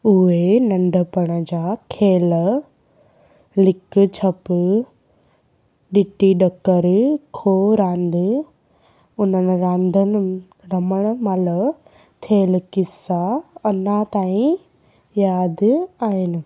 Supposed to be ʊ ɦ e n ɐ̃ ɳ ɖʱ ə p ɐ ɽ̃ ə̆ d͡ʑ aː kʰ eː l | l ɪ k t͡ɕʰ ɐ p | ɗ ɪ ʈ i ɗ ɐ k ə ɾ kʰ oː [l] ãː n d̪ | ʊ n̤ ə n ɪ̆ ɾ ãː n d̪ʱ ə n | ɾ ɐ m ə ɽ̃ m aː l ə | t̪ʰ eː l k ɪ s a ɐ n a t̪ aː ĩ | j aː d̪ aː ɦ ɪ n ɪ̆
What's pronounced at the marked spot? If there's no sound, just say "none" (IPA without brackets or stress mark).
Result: ɾ